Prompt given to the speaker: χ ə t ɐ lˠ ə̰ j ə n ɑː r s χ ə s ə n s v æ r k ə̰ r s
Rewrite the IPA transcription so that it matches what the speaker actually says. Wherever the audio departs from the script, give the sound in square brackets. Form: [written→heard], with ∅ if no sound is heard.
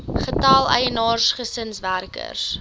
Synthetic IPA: χ ə t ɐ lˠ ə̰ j ə n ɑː r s χ ə s ə n s v æ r k ə̰ r s